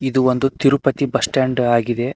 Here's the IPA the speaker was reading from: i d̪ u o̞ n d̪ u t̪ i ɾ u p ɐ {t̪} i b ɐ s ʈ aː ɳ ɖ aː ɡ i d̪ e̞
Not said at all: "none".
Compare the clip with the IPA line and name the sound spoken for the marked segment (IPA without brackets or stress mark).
t̪